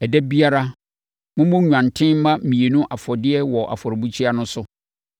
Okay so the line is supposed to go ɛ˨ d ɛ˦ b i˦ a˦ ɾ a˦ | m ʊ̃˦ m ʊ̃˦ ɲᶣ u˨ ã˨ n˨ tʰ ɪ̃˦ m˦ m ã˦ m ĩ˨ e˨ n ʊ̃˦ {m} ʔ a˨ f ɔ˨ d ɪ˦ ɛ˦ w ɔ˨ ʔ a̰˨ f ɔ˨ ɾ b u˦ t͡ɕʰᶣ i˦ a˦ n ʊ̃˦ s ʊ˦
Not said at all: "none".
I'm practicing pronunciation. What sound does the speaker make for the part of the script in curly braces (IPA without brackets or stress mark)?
none